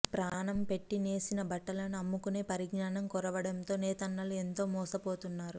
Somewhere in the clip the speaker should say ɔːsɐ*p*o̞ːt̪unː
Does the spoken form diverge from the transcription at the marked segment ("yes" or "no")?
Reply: no